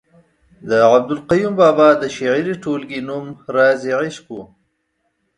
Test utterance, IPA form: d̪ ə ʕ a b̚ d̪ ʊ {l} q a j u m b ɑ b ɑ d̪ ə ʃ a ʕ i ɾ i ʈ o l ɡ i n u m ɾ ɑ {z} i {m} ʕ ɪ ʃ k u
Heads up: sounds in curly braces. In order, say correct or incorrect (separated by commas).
correct, correct, incorrect